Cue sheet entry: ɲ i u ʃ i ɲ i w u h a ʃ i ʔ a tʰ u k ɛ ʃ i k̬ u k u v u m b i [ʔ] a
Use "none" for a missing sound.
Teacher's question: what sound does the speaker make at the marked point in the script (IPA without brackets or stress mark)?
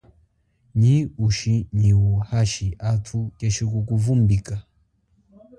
k